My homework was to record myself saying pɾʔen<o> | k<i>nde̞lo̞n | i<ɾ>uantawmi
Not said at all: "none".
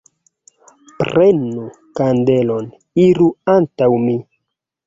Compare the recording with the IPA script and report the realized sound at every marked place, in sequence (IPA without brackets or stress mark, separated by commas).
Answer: u, a, ɾ